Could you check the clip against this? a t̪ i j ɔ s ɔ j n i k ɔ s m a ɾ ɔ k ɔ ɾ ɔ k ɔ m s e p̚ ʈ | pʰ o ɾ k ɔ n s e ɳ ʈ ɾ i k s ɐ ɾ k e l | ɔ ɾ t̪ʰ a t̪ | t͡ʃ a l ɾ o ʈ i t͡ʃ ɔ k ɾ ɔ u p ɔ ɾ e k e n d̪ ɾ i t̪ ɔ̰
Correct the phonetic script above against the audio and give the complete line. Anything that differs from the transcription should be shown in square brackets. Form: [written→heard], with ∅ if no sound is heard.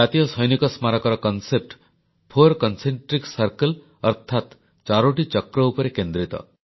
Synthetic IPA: a t̪ i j ɔ s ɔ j n i k ɔ s m a ɾ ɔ k ɔ ɾ ɔ k ɔ [m→n] s e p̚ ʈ | pʰ o ɾ k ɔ n s e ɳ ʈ ɾ i k s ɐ ɾ k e l | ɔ ɾ t̪ʰ a t̪ | t͡ʃ a [l→∅] ɾ o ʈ i t͡ʃ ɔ k ɾ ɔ u p ɔ ɾ e k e n d̪ ɾ i t̪ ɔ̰